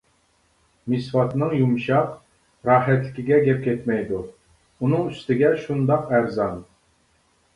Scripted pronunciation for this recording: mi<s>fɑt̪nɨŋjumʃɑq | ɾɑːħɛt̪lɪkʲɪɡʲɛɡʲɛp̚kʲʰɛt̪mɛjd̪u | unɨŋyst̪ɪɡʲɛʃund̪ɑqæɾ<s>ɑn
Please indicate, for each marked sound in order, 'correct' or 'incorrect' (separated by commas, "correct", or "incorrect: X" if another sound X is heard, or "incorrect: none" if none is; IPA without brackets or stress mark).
correct, incorrect: z